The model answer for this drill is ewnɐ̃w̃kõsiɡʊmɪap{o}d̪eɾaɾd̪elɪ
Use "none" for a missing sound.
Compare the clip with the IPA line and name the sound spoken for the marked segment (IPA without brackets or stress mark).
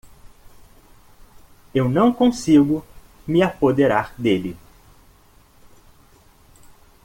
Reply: o